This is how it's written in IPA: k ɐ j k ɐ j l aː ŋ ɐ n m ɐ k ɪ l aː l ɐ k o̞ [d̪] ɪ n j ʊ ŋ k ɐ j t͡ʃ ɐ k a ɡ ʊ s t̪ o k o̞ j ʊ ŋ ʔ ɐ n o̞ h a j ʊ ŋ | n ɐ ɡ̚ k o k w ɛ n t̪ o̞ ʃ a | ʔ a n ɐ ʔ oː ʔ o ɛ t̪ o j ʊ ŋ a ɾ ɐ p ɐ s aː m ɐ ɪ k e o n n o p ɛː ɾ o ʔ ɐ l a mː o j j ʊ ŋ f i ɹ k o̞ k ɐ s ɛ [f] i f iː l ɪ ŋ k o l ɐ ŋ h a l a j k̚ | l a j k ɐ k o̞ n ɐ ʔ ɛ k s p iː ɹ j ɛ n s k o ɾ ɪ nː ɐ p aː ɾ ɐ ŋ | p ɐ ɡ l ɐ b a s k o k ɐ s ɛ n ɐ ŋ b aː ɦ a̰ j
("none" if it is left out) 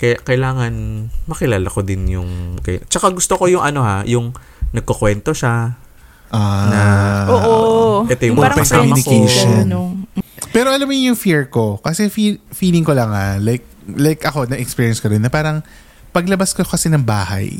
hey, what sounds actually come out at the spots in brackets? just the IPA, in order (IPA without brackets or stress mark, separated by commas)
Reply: d̪, f